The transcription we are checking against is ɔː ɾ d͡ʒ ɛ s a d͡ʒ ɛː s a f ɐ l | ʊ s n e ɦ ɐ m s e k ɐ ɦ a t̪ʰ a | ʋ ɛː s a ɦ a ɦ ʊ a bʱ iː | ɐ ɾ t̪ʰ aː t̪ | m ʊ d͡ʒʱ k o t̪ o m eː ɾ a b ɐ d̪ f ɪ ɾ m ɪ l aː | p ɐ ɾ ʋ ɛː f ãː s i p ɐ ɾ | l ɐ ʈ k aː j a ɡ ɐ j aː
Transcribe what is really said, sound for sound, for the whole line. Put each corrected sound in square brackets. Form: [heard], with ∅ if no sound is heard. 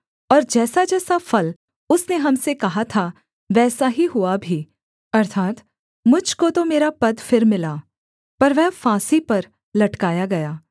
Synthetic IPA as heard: ɔː ɾ d͡ʒ [ɛː] s a d͡ʒ ɛː s a f ɐ l | ʊ s n e ɦ ɐ m s e k ɐ ɦ a t̪ʰ a | ʋ ɛː s a ɦ [i] ɦ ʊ a bʱ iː | ɐ ɾ t̪ʰ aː t̪ | m ʊ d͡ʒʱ k o t̪ o m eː ɾ a [p] ɐ d̪ f ɪ ɾ m ɪ l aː | p ɐ ɾ ʋ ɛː f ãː s i p ɐ ɾ | l ɐ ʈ k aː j a ɡ ɐ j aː